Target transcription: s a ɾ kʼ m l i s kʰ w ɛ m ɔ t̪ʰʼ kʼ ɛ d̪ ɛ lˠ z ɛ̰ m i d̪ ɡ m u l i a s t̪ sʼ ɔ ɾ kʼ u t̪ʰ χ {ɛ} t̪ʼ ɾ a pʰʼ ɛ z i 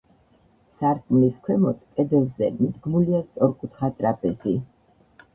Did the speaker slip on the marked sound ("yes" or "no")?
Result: yes